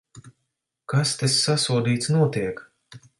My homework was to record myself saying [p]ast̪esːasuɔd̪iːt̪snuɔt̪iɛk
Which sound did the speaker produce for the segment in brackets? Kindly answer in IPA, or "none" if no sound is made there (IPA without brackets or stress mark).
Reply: k